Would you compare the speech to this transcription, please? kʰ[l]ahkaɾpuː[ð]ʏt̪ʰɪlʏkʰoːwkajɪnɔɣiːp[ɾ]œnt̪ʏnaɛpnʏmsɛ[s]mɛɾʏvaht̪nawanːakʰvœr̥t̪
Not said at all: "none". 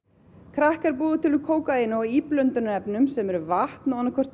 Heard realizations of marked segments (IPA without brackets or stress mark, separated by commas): ɾ, ð, l, none